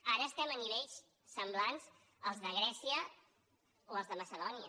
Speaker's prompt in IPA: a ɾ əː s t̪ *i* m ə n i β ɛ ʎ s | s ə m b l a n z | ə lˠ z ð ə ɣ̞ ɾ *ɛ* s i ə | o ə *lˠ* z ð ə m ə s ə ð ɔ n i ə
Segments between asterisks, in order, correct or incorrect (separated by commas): incorrect, correct, correct